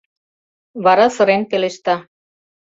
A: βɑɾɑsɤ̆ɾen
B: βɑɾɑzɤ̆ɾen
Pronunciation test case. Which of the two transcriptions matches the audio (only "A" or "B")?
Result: A